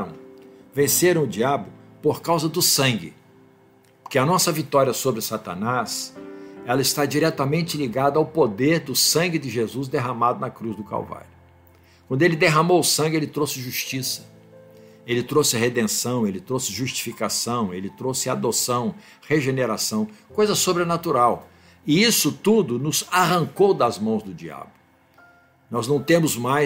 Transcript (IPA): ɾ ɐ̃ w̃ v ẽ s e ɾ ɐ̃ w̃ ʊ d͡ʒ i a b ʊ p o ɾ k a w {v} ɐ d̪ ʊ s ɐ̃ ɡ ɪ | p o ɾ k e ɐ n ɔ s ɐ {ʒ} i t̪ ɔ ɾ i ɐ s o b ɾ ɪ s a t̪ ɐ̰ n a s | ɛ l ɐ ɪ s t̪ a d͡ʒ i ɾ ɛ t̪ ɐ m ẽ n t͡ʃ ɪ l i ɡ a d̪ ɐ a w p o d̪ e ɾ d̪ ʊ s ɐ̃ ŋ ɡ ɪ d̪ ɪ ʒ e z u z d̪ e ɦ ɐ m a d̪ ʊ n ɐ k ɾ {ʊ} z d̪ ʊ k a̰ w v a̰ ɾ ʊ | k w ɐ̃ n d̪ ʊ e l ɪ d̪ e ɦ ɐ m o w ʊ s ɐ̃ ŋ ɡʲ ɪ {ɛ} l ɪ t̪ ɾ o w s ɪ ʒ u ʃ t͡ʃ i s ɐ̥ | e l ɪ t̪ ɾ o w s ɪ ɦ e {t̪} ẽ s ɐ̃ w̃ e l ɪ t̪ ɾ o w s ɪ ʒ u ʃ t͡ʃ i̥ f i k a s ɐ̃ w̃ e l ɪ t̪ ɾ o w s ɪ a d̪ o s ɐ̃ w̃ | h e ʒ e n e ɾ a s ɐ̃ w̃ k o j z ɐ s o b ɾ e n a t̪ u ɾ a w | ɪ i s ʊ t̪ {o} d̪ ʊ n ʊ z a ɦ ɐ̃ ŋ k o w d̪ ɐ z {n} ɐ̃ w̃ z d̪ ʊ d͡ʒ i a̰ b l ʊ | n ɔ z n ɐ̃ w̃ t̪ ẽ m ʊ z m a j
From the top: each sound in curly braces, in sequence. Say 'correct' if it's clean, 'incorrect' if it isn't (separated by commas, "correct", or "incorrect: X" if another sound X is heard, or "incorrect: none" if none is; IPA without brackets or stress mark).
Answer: incorrect: z, incorrect: v, incorrect: u, incorrect: e, incorrect: d̪, incorrect: u, incorrect: m